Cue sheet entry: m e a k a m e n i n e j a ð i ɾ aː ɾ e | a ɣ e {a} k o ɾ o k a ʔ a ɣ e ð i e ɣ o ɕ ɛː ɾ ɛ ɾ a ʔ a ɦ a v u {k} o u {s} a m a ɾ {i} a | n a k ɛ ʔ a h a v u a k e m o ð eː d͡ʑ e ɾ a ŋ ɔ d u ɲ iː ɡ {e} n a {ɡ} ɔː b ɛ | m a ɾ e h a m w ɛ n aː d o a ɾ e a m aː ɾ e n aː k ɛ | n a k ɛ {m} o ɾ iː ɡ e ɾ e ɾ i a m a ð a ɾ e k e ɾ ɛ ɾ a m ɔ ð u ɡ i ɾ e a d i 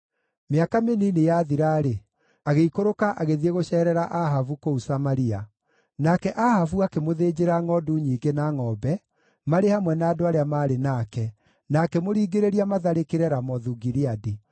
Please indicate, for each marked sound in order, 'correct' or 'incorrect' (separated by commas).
incorrect, correct, correct, correct, correct, incorrect, correct